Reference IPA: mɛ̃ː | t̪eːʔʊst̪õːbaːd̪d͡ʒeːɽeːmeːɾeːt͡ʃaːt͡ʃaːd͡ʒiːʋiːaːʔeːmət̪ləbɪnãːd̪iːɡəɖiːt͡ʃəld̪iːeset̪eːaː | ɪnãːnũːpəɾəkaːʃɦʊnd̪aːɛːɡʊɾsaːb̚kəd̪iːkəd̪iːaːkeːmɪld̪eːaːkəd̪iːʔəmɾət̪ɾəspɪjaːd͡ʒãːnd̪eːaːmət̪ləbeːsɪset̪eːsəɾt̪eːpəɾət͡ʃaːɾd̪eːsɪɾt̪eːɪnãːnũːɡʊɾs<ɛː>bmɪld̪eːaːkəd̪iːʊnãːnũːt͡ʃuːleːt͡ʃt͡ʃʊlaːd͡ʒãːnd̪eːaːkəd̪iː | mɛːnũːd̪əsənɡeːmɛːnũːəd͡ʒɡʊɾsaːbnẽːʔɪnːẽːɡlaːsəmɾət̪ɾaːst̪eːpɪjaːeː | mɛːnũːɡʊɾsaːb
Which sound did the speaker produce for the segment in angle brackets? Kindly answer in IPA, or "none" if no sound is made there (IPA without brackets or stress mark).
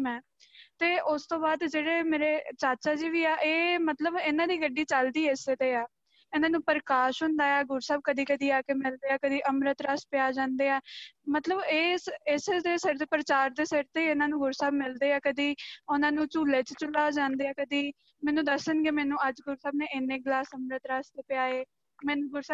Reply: aː